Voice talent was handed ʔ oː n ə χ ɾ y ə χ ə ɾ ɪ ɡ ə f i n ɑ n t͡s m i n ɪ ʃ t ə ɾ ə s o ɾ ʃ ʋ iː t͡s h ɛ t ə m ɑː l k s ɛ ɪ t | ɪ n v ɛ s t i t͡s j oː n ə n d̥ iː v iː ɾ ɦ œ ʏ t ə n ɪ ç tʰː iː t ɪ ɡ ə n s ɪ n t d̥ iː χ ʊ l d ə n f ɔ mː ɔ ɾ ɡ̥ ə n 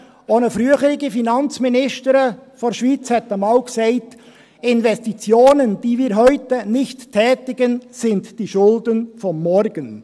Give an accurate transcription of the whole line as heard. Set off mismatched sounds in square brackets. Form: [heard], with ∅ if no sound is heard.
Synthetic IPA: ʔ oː n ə [f] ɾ y ə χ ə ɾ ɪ ɡ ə f i n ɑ n t͡s m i n ɪ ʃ t ə ɾ ə [f] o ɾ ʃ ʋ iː t͡s h ɛ t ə m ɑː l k s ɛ ɪ t | ɪ n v ɛ s t i t͡s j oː n ə n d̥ iː v iː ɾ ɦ œ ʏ t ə n ɪ ç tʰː [ɛː] t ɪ ɡ ə n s ɪ n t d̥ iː [ʃ] ʊ l d ə n f ɔ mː ɔ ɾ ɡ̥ ə n